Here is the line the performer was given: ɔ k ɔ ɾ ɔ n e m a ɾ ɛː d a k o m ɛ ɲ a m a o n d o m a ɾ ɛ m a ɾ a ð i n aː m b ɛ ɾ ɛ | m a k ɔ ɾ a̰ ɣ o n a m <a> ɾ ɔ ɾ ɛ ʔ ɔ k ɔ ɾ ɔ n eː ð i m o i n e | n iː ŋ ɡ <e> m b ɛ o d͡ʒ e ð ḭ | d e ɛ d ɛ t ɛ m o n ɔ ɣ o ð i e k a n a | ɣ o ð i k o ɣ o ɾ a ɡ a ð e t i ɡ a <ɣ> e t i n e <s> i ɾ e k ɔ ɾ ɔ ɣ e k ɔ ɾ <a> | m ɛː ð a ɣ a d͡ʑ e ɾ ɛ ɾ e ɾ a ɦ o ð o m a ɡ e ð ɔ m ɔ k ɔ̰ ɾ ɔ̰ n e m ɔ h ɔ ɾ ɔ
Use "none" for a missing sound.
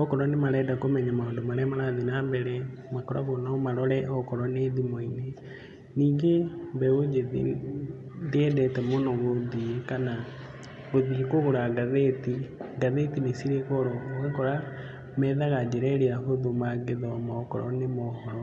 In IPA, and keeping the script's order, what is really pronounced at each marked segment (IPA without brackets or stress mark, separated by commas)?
a, e, ð, s, a